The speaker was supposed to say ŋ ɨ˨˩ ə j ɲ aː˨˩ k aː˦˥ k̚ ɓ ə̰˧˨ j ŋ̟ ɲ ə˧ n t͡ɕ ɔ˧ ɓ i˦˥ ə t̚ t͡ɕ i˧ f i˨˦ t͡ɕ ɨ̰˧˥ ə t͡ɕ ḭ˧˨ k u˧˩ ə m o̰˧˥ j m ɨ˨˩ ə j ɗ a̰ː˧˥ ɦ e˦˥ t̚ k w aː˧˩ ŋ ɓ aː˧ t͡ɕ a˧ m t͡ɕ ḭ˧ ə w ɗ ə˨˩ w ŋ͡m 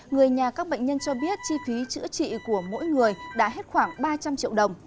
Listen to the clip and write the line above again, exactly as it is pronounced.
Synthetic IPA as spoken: ŋ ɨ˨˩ ə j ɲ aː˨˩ k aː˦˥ k̚ ɓ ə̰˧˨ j ŋ̟ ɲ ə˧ n t͡ɕ ɔ˧ ɓ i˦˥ ə t̚ t͡ɕ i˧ f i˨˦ t͡ɕ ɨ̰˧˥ ə t͡ɕ ḭ˧˨ k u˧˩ ə m o̰˧˥ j ŋ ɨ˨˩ ə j ɗ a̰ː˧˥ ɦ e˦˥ t̚ x w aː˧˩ ŋ ɓ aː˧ t͡ɕ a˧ m t͡ɕ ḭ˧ ə w ɗ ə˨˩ w ŋ͡m